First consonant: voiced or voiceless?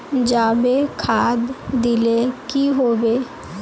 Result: voiced